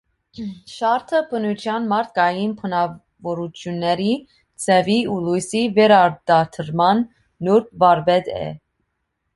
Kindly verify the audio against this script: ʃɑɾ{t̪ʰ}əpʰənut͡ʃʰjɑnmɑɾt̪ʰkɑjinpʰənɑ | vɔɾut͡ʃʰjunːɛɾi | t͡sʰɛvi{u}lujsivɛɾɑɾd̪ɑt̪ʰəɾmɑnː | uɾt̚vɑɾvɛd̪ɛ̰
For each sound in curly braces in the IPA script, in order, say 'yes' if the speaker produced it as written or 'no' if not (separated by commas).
yes, yes